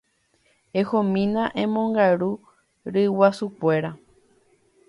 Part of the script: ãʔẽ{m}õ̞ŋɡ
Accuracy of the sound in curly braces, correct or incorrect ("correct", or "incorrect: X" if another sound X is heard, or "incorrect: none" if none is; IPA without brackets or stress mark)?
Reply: correct